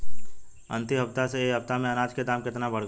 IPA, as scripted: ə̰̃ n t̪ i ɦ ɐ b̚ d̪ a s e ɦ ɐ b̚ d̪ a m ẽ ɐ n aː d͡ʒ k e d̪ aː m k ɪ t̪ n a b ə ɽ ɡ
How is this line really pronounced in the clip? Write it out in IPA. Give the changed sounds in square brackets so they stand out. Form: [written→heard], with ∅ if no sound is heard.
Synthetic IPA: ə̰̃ n t̪ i ɦ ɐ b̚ [d̪→t̪] a s e ɦ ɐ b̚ [d̪→t̪] a m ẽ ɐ n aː d͡ʒ k e d̪ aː m k ɪ t̪ n a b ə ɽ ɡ